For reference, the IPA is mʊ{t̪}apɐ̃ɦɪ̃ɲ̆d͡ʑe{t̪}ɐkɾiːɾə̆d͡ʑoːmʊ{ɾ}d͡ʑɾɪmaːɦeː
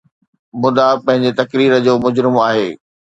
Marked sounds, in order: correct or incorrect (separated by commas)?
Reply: incorrect, correct, incorrect